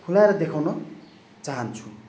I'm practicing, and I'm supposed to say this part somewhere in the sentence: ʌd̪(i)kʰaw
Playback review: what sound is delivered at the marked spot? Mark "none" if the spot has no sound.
e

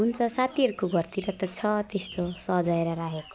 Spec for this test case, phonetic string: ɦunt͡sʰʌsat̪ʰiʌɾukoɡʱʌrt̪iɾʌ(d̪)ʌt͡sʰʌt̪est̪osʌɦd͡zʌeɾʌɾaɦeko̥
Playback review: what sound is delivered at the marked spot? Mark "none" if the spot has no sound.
t̪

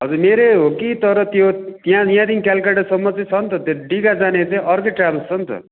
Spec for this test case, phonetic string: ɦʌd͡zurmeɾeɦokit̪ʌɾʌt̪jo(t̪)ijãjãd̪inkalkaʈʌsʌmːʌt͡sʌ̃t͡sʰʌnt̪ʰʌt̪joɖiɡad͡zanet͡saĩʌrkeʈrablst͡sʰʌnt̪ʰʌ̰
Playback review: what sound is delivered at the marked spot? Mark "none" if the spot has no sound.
t̪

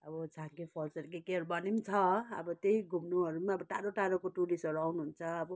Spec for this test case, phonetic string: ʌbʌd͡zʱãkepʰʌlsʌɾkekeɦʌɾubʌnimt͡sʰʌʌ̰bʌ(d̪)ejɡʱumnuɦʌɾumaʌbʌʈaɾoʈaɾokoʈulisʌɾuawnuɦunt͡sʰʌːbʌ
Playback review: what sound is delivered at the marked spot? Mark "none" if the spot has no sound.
t̪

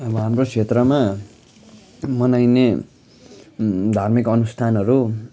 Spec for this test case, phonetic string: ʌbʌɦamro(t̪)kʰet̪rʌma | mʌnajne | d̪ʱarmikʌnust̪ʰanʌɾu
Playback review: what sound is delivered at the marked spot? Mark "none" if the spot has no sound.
none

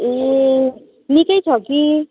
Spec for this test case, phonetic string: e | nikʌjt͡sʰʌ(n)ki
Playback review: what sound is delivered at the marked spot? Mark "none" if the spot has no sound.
none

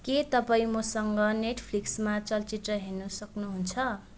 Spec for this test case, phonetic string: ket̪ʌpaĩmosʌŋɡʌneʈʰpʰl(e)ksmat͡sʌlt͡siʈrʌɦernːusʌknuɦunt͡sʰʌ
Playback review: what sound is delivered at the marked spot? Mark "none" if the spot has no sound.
i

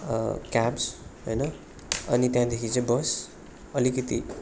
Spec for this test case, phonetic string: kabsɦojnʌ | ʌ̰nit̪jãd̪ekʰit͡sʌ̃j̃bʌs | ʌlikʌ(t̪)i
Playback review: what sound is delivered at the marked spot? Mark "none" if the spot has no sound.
t̪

